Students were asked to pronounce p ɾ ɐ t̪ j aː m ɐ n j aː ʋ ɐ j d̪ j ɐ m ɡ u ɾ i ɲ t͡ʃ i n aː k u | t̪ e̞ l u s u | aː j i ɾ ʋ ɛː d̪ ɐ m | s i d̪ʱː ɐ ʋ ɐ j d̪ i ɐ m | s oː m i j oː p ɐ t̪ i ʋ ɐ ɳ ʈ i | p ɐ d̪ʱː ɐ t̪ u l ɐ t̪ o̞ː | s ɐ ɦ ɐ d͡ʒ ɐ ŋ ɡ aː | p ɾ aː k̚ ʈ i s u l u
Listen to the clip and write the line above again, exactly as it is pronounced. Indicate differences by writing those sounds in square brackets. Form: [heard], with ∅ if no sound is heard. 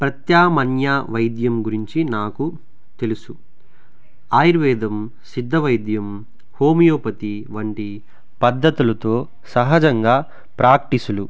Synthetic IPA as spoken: p ɾ ɐ t̪ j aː m ɐ n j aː ʋ ɐ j d̪ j ɐ m ɡ u ɾ i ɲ t͡ʃ i n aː k u | t̪ e̞ l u s u | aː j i ɾ ʋ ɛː d̪ ɐ m | s i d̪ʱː ɐ ʋ ɐ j d̪ [j] ɐ m | [h] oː m i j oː p ɐ t̪ i ʋ ɐ ɳ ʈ i | p ɐ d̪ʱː ɐ t̪ u l ɐ t̪ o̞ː | s ɐ ɦ ɐ d͡ʒ ɐ ŋ ɡ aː | p ɾ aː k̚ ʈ i s u l u